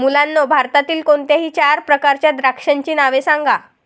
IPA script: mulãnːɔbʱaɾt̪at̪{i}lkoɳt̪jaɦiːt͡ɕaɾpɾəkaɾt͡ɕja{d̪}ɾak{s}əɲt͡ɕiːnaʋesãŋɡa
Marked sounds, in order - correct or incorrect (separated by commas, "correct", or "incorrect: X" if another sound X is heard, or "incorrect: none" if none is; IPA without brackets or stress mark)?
incorrect: iː, correct, incorrect: ʂ